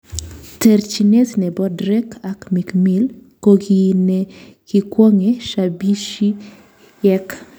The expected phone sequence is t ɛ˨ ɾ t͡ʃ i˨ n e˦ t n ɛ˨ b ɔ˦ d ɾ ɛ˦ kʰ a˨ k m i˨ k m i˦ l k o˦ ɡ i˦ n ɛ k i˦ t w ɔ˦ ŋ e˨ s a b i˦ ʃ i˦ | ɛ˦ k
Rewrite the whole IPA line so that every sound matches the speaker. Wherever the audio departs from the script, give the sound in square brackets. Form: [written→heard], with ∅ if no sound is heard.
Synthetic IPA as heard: t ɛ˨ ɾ t͡ʃ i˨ n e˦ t n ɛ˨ b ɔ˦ d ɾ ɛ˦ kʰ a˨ k m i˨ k m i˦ l k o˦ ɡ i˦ n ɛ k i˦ [t→k] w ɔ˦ ŋ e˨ [s→ʃ] a b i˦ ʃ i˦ | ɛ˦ k